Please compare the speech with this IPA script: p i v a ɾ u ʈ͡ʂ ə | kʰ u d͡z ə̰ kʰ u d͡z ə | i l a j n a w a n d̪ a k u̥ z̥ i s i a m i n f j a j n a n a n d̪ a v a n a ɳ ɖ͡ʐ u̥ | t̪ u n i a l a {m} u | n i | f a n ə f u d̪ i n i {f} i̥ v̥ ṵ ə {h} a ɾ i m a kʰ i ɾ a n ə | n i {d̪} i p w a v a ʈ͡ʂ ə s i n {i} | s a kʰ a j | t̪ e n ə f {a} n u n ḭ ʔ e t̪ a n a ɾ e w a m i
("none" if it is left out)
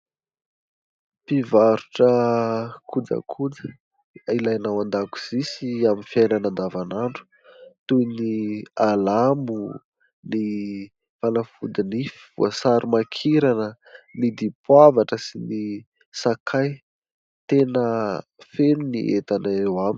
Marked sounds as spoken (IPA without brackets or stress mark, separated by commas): m, f, s, d̪, i, e